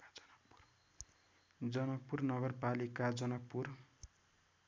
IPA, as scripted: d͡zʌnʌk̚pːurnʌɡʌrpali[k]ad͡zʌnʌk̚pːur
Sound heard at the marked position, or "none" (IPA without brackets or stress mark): k